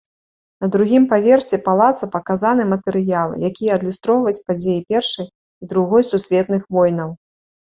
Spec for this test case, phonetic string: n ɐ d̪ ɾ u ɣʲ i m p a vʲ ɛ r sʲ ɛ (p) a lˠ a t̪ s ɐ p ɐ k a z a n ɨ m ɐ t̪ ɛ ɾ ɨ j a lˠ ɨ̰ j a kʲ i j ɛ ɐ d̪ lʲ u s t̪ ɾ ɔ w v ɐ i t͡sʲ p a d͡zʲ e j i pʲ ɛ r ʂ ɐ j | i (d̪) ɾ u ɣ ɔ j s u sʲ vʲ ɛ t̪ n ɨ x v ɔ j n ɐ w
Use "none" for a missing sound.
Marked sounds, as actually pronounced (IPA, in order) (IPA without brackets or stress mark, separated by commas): p, d̪